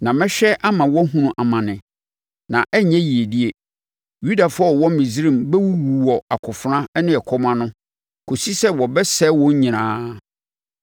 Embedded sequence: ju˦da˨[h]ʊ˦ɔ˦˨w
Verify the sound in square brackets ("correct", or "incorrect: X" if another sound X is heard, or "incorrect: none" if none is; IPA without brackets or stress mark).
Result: incorrect: f